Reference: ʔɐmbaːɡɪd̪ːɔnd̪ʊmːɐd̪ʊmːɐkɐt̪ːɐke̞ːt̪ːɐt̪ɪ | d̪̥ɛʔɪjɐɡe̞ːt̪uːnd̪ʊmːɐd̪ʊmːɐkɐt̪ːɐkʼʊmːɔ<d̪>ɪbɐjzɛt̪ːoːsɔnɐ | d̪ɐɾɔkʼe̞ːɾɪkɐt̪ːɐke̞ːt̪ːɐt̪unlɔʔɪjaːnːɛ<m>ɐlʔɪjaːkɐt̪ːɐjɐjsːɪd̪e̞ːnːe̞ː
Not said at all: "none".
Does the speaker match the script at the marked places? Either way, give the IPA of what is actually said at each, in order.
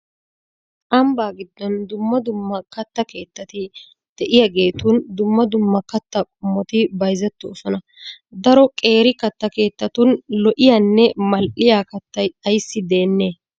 t̪, m

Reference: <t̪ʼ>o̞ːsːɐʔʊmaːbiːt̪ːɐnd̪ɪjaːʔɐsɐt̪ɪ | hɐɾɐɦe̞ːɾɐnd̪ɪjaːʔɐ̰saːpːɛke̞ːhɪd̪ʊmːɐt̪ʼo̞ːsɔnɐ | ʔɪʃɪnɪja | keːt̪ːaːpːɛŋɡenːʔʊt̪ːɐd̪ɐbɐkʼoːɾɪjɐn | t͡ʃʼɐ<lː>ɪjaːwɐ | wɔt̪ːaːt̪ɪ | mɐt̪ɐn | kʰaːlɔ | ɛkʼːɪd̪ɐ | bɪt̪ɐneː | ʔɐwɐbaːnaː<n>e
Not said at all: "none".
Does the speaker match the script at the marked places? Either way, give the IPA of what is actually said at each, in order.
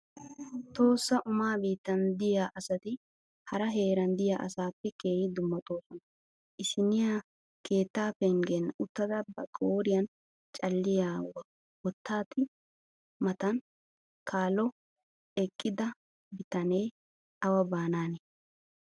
t̪, lː, n

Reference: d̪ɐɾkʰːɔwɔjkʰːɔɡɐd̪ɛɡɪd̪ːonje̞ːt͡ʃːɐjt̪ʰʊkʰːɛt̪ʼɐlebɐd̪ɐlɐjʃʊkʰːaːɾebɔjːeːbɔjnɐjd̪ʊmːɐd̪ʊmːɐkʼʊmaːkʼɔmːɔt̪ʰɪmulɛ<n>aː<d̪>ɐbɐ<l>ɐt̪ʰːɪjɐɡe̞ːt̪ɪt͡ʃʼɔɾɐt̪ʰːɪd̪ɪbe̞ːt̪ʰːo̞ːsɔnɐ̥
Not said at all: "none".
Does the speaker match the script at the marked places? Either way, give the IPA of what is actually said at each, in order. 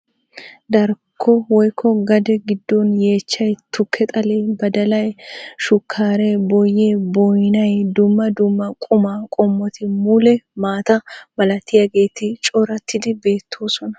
m, t̪, l

